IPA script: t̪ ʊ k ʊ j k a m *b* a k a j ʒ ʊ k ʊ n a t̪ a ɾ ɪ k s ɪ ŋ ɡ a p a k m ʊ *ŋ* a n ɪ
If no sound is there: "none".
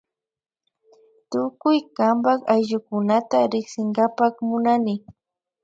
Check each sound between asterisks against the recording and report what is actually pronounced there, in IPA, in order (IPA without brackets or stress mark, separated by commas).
b, n